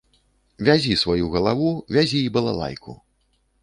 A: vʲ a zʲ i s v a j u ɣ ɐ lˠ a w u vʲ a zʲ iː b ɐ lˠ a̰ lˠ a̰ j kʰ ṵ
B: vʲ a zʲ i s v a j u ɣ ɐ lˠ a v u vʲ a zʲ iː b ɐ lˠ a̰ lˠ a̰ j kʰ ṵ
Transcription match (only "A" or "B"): B